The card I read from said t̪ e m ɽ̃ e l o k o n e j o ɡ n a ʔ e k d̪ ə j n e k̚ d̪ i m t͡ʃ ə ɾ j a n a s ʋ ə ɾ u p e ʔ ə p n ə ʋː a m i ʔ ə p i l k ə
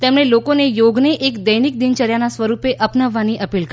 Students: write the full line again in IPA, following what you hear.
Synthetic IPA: t̪ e m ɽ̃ e l o k o n e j o ɡ n e ʔ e k d̪ ə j n i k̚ d̪ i n t͡ʃ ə ɾ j a n a s ʋ ə ɾ u p e ʔ ə p n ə ʋː a n i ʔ ə p i l k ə

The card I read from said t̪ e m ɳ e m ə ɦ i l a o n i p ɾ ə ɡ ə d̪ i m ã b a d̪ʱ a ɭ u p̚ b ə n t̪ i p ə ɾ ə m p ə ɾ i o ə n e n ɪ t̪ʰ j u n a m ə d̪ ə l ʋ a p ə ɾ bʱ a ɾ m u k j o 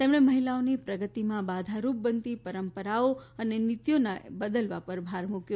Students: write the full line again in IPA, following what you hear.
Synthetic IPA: t̪ e m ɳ e m ə ɦ i l a o n i p ɾ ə ɡ ə t̪ i m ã b a d̪ʱ a ɾ u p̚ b ə n t̪ i p ə ɾ ə m p ə ɾ a o ə n e n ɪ t̪ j o n a b ə d̪ ə l ʋ a p ə ɾ bʱ a ɾ m u k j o

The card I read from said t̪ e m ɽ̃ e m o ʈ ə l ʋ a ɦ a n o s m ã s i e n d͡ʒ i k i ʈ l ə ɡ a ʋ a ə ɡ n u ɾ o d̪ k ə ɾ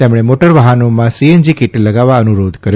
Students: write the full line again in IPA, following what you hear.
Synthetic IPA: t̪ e m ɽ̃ e m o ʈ ə ɾ ʋ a ɦ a n o m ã s i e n d͡ʒ i k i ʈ l ə ɡ a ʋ a ə n u ɾ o d̪ k ə ɾ

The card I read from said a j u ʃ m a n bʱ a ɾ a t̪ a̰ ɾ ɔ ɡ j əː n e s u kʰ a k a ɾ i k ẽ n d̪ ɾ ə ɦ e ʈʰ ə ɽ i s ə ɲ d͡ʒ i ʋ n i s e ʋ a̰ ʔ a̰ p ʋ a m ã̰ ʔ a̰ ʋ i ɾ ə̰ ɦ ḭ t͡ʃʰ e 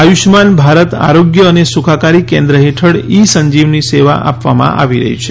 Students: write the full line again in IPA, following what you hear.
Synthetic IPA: a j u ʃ m a n bʱ a ɾ ə t̪ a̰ ɾ o ɡ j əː n e s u kʰ a k a ɾ i k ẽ n d̪ ɾ ə ɦ e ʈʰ ə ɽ i s ə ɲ d͡ʒ i ʋ n i s e ʋ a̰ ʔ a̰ p ʋ a m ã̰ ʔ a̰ ʋ i ɾ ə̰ ɦ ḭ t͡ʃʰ e

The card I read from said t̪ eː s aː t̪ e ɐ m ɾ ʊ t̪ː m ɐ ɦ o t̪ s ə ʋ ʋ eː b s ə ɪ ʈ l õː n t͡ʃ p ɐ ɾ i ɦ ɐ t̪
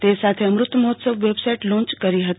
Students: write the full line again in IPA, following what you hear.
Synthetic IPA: t̪ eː s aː t̪ʰ e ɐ m ɾ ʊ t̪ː m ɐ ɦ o t̪ s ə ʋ ʋ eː b s a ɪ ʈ l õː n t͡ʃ k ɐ ɾ i ɦ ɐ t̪

